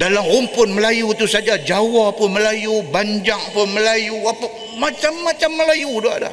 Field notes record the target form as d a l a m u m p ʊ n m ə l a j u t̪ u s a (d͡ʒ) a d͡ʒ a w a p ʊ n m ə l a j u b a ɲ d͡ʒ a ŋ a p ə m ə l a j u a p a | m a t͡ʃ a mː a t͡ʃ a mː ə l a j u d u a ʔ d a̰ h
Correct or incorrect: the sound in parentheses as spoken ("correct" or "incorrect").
correct